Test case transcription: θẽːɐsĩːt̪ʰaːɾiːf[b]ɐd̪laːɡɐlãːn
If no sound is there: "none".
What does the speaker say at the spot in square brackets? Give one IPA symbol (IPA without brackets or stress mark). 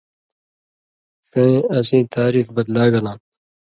b